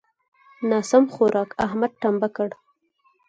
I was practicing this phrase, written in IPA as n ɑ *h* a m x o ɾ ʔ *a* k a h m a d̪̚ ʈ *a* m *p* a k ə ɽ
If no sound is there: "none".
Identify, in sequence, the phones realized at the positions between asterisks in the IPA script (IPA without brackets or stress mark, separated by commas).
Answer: s, ɑ, a, b